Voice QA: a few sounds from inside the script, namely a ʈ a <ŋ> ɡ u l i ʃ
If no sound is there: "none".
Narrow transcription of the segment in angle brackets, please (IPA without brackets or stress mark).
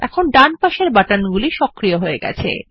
n